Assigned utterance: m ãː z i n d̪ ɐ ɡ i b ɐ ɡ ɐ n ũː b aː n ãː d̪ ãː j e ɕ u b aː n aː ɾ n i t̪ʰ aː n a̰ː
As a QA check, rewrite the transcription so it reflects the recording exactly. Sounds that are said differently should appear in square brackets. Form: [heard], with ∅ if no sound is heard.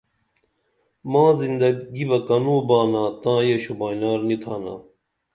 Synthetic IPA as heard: m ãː z i n d̪ ɐ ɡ i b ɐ [k] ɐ n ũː b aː n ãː [t̪] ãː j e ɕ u b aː n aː ɾ n i t̪ʰ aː n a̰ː